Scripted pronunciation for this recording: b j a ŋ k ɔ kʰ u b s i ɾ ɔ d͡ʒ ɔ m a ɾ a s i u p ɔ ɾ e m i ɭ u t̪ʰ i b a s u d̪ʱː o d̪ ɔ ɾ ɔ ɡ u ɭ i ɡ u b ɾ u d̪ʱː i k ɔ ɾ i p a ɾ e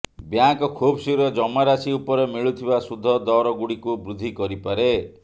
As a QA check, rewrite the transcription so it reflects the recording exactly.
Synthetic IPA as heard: b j a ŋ k ɔ kʰ u b s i ɾ ɔ d͡ʒ ɔ m a ɾ a s i u p ɔ ɾ e m i ɭ u t̪ʰ i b a s u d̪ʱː ɔ d̪ ɔ ɾ ɔ ɡ u ɽ i k u b ɾ u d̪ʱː i k ɔ ɾ i p a ɾ e